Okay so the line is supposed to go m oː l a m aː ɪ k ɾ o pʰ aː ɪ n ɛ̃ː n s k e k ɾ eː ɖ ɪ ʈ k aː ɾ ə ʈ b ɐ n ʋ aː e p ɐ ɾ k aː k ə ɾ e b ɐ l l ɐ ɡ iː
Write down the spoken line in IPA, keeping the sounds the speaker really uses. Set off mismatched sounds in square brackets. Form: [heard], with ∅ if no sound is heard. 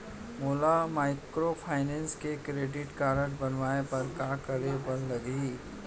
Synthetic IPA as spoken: m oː l a m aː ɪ k ɾ o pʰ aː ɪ n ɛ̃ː n s k e k ɾ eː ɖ ɪ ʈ k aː ɾ ə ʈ b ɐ n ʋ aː e p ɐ ɾ k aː k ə ɾ e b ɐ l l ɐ ɡ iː